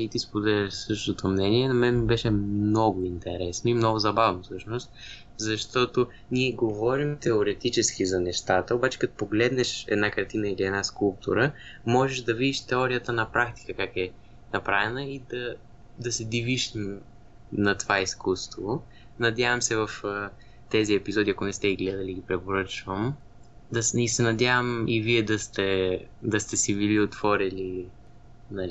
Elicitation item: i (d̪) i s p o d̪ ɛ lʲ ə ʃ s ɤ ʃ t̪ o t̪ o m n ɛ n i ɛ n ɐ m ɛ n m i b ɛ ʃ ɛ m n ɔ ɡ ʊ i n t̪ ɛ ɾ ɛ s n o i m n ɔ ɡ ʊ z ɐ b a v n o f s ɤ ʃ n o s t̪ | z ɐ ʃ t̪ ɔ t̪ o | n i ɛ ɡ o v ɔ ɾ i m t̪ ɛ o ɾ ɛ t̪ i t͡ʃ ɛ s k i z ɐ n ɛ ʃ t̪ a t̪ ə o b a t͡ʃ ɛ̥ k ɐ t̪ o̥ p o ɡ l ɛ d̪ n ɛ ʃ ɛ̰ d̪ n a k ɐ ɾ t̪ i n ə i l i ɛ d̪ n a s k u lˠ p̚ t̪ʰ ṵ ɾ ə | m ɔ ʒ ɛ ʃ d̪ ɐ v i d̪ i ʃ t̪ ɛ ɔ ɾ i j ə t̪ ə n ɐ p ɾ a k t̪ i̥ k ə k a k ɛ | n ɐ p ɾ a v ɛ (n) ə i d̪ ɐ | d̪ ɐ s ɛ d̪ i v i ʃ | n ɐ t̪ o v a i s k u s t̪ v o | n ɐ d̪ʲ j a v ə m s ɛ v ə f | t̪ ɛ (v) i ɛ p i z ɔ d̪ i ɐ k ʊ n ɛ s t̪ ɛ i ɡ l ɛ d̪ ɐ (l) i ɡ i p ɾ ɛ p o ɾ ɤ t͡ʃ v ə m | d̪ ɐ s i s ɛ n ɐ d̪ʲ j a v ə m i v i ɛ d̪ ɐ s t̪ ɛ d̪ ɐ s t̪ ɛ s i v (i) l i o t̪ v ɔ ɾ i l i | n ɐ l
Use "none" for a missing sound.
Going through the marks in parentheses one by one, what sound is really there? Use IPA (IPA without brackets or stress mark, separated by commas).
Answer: t̪, n, z, l, i